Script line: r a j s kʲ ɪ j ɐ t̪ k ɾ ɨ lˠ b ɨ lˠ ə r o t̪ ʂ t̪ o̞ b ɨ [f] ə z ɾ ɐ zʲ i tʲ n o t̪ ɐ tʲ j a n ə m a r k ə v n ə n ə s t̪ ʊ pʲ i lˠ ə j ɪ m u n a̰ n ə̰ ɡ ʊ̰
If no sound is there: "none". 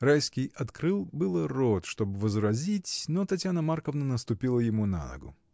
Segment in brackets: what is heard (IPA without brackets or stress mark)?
v